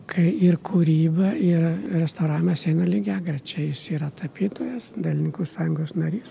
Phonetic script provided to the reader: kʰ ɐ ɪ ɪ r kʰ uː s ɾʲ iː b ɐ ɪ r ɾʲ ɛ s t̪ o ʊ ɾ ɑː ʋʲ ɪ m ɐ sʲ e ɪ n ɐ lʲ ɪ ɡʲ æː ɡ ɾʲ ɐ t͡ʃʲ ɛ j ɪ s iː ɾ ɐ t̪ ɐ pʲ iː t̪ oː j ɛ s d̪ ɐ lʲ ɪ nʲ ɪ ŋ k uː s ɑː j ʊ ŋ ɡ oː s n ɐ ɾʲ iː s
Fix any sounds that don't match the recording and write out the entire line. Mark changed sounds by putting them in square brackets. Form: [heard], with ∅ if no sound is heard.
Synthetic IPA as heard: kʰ ɐ ɪ ɪ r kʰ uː [∅] ɾʲ iː b ɐ ɪ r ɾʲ ɛ s t̪ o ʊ ɾ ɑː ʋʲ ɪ m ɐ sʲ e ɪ n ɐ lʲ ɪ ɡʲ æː ɡ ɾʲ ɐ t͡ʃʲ ɛ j ɪ s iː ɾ ɐ t̪ ɐ pʲ iː t̪ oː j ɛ s d̪ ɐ lʲ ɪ nʲ ɪ ŋ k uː s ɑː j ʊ ŋ ɡ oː s n ɐ ɾʲ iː s

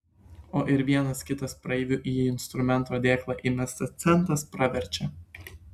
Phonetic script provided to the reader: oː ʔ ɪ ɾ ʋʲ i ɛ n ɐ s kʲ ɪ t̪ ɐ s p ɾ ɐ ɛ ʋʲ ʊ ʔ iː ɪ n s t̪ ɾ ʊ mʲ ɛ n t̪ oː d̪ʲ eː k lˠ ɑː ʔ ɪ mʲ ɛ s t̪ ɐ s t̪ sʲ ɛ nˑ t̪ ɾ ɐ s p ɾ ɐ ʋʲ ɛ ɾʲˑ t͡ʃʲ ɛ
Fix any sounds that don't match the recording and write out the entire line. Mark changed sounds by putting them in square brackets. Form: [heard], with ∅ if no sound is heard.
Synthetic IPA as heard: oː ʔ ɪ ɾ ʋʲ i ɛ n ɐ s kʲ ɪ t̪ ɐ s p ɾ ɐ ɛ ʋʲ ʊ ʔ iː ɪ n s t̪ ɾ ʊ mʲ ɛ n t̪ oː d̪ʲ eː k lˠ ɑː ʔ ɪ mʲ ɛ s t̪ ɐ s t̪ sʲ ɛ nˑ t̪ ɾ ɐ s p ɾ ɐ ʋʲ ɛ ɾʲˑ t͡ʃʲ ɛ

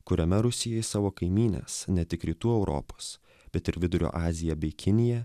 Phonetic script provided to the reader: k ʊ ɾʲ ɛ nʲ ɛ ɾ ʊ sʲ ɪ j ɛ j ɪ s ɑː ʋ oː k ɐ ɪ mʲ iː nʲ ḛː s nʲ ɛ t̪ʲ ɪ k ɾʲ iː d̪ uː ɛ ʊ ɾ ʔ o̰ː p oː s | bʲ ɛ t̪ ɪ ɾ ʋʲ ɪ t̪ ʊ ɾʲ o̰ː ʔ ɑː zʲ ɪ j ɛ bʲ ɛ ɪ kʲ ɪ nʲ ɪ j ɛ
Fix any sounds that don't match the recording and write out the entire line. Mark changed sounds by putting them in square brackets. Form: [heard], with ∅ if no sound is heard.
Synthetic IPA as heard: k ʊ ɾʲ ɛ [mʲ] ɛ ɾ ʊ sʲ ɪ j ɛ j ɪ s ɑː ʋ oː k ɐ ɪ mʲ iː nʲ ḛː s nʲ ɛ t̪ʲ ɪ k ɾʲ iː [t̪] uː ɛ ʊ ɾ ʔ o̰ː p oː s | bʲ ɛ t̪ ɪ ɾ ʋʲ ɪ [d̪] ʊ ɾʲ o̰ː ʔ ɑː zʲ ɪ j ɛ bʲ ɛ ɪ kʲ ɪ nʲ ɪ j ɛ

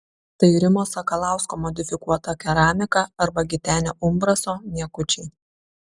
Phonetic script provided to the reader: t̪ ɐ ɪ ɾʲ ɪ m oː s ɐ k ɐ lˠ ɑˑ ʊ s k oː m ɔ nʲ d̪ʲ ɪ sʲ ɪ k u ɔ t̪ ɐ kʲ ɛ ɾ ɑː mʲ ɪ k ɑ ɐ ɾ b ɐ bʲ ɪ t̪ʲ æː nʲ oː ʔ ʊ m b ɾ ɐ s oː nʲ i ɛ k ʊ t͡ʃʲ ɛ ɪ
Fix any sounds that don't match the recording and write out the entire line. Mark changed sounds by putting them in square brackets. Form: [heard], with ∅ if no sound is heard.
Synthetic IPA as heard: t̪ ɐ ɪ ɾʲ ɪ m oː s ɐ k ɐ lˠ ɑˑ ʊ s k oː m ɔ [∅] d̪ʲ ɪ [fʲ] ɪ k u ɔ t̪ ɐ kʲ ɛ ɾ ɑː mʲ ɪ k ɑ ɐ ɾ b ɐ [ɡʲ] ɪ t̪ʲ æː nʲ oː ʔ ʊ m b ɾ ɐ s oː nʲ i ɛ k ʊ t͡ʃʲ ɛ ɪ

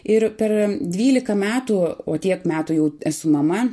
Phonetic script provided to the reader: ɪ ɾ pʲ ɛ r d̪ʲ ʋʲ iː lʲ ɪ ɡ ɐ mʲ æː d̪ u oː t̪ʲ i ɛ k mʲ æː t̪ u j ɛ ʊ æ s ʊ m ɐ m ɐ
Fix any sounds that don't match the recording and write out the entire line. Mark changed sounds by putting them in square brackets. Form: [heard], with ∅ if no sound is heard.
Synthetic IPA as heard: ɪ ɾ pʲ ɛ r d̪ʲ ʋʲ iː lʲ ɪ [k] ɐ mʲ æː [t̪] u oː t̪ʲ i ɛ k mʲ æː t̪ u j ɛ ʊ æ s ʊ m ɐ m ɐ

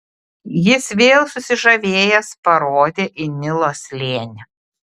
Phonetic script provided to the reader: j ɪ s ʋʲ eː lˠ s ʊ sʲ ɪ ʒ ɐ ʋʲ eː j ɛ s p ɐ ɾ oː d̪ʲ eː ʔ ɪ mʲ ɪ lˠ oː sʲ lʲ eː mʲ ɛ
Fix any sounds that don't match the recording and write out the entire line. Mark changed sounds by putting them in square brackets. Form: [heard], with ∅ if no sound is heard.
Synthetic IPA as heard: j ɪ s ʋʲ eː lˠ s ʊ sʲ ɪ ʒ ɐ ʋʲ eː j ɛ s p ɐ ɾ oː d̪ʲ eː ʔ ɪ [nʲ] ɪ lˠ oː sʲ lʲ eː [nʲ] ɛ

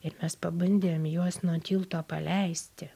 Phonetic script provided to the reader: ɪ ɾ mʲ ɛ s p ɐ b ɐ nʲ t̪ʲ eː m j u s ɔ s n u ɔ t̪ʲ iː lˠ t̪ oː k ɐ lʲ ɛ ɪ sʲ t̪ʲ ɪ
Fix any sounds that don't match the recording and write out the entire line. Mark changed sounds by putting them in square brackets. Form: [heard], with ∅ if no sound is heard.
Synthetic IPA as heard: ɪ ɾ mʲ ɛ s p ɐ b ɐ nʲ [d̪ʲ] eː m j u [∅] ɔ s n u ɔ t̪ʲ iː lˠ t̪ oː [p] ɐ lʲ ɛ ɪ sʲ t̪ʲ ɪ

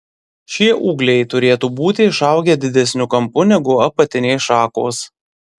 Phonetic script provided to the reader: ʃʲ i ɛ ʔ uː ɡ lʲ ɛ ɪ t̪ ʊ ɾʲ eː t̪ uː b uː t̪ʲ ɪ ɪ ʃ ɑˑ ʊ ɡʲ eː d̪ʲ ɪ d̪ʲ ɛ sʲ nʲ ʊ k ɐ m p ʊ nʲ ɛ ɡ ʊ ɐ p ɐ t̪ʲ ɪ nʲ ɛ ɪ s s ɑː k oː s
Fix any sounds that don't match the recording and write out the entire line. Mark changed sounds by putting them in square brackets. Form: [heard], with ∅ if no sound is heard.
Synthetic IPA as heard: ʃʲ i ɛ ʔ uː ɡ lʲ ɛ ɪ t̪ ʊ ɾʲ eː t̪ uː b uː t̪ʲ ɪ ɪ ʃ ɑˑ ʊ ɡʲ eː d̪ʲ ɪ d̪ʲ ɛ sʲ nʲ ʊ k ɐ m p ʊ nʲ ɛ ɡ ʊ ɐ p ɐ t̪ʲ ɪ nʲ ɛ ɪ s [ʃ] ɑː k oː s

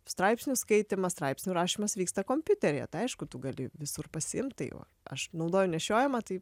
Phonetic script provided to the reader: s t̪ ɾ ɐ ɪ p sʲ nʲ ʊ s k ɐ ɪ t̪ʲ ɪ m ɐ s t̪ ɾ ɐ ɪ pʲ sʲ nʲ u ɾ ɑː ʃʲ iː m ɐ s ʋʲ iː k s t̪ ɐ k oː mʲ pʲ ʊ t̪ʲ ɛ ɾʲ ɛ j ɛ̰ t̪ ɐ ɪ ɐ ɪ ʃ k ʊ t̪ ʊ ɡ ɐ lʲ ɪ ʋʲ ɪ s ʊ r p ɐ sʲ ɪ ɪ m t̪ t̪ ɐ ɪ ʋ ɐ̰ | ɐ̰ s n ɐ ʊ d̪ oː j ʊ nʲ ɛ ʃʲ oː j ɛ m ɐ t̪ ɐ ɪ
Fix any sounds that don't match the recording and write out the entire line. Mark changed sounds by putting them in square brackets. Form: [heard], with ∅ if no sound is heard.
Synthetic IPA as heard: s t̪ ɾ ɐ ɪ p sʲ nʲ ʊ s k ɐ ɪ t̪ʲ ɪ m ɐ s t̪ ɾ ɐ ɪ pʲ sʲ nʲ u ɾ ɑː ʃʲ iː m ɐ s ʋʲ iː k s t̪ ɐ k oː mʲ pʲ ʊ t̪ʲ ɛ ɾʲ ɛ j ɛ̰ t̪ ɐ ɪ ɐ ɪ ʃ k ʊ t̪ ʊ ɡ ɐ lʲ ɪ ʋʲ ɪ s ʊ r p ɐ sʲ ɪ ɪ m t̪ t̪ ɐ ɪ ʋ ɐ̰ | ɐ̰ [ʃ] n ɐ ʊ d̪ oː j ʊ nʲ ɛ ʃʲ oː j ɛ m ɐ t̪ ɐ ɪ

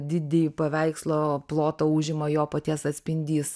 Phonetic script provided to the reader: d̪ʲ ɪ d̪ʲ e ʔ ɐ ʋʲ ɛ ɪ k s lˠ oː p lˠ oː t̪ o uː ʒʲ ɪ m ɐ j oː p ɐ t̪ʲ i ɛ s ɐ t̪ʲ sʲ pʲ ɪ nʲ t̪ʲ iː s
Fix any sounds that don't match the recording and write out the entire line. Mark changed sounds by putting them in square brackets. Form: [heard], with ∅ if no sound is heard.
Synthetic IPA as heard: d̪ʲ ɪ d̪ʲ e [p] ɐ ʋʲ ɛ ɪ k s lˠ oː p lˠ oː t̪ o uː ʒʲ ɪ m ɐ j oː p ɐ t̪ʲ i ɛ s ɐ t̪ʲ sʲ pʲ ɪ nʲ [d̪ʲ] iː s

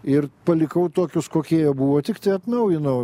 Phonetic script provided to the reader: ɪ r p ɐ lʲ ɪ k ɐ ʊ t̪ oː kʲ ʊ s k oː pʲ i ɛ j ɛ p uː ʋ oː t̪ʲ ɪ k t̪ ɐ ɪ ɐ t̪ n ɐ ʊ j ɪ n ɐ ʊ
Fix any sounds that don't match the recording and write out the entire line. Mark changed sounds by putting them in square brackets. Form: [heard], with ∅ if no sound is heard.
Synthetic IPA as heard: ɪ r p ɐ lʲ ɪ k ɐ ʊ t̪ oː kʲ ʊ s k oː [kʲ] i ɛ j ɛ [b] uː ʋ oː t̪ʲ ɪ k t̪ ɐ ɪ ɐ t̪ n ɐ ʊ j ɪ n ɐ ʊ

